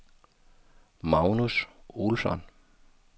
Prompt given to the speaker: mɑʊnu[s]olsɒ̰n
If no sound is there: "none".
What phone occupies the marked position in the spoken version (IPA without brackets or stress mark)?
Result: s